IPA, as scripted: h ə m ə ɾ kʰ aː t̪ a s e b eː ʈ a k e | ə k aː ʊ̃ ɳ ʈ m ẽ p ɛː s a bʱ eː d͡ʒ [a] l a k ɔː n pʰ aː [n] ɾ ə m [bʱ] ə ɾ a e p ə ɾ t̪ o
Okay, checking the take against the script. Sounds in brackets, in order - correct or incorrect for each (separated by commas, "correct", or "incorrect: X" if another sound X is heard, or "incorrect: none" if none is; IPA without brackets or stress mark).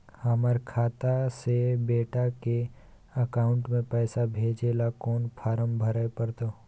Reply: incorrect: e, incorrect: none, correct